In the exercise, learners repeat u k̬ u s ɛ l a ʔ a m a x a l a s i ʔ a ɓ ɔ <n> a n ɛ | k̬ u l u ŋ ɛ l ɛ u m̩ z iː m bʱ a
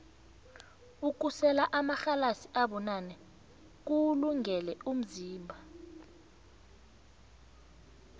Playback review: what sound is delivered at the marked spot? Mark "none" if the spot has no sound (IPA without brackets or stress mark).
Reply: n